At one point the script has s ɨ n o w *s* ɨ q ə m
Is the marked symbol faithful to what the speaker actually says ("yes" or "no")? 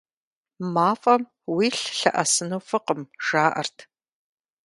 no